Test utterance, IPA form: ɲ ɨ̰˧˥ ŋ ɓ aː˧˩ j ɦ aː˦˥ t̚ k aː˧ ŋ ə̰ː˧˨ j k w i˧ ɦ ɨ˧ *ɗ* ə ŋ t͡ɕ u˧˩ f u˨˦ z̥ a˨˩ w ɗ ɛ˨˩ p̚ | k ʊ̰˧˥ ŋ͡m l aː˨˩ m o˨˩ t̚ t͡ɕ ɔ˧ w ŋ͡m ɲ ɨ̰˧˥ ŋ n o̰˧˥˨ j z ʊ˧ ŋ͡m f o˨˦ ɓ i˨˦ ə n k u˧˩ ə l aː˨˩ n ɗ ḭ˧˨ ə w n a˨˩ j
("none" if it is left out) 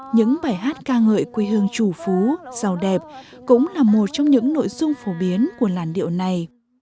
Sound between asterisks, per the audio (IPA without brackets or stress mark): none